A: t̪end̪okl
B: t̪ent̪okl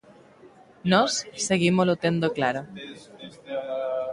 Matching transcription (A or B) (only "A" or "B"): A